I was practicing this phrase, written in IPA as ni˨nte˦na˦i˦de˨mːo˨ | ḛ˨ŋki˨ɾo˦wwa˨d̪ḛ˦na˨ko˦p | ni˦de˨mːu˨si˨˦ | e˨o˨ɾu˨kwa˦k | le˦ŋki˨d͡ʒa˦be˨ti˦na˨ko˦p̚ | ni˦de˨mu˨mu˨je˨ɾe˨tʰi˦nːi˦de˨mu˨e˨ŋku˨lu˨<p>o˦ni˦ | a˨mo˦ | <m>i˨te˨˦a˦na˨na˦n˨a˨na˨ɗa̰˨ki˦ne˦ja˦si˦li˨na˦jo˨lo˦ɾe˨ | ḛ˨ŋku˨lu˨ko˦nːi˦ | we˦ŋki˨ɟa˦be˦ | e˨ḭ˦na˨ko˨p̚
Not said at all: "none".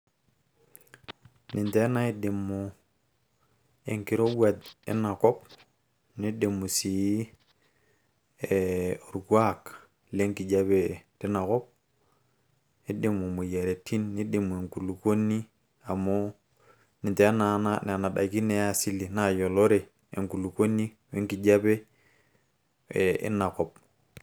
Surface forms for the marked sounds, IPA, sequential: k, n

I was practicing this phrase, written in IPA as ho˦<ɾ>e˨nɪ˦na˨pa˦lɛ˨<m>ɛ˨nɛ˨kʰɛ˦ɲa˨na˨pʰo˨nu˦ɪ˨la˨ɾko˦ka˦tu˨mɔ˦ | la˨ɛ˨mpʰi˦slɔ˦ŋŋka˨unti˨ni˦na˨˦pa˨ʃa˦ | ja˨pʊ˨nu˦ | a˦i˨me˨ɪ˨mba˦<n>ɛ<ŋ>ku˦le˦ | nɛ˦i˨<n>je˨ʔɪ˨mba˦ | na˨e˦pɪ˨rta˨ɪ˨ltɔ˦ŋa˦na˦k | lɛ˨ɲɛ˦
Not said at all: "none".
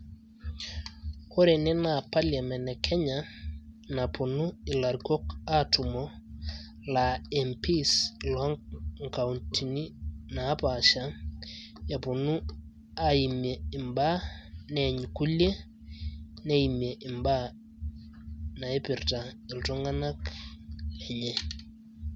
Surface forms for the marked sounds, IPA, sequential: ɾ, m, n, ɲ, m

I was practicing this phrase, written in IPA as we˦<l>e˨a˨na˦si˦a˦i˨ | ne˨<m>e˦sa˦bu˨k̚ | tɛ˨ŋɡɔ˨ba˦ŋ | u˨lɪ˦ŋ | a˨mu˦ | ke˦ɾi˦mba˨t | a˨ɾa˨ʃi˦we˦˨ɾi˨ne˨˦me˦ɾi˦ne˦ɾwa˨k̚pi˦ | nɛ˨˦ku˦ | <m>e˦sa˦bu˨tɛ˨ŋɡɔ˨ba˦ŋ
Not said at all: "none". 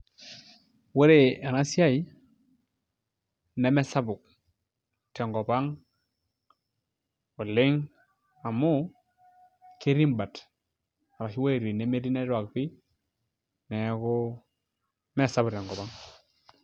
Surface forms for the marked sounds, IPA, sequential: ɾ, m, m

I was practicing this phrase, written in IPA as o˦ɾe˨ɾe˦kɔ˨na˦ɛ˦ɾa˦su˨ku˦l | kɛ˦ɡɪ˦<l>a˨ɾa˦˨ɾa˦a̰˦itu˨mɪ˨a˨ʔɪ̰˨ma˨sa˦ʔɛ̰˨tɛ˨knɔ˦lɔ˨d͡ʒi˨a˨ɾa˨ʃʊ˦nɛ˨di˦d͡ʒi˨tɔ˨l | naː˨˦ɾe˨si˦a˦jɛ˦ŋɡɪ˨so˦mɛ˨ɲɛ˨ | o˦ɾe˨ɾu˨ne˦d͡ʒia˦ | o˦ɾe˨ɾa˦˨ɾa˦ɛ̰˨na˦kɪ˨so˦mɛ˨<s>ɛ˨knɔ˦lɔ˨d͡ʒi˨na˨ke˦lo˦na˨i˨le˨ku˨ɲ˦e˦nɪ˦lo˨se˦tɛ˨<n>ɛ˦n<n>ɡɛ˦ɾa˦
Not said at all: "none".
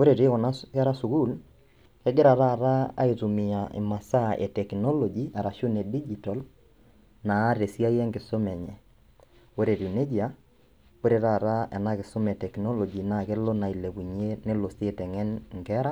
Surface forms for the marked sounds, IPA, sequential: ɾ, t, ŋ, ŋ

